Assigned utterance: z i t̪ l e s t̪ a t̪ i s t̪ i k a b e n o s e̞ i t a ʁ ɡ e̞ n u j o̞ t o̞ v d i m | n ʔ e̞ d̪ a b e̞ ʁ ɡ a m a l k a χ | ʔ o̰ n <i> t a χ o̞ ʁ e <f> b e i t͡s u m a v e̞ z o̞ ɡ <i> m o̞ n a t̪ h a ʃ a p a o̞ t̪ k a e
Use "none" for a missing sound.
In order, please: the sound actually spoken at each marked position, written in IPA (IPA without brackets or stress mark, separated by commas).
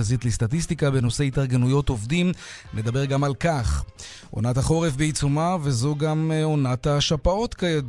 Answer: a, f, a